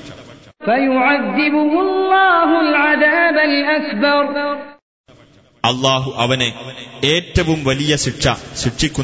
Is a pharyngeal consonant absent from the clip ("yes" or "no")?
no